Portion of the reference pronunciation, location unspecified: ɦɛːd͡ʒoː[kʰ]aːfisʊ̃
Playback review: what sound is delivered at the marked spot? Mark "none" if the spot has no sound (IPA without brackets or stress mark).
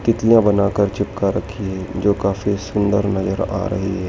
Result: k